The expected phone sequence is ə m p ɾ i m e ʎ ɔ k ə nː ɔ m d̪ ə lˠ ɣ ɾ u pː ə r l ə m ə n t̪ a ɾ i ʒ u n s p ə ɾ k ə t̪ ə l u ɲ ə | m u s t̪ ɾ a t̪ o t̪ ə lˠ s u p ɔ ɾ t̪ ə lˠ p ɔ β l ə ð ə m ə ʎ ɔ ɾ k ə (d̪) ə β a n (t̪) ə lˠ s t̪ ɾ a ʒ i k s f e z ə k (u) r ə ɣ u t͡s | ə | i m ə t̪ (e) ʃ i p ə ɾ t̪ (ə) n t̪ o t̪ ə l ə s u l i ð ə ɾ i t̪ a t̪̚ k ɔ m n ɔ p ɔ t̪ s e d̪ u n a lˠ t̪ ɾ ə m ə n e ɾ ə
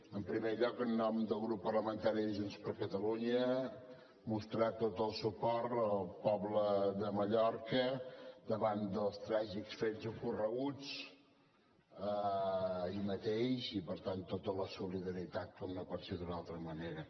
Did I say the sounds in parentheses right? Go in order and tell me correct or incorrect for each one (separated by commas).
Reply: correct, incorrect, correct, correct, incorrect